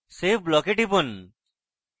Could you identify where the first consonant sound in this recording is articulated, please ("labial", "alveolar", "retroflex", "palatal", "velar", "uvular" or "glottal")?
alveolar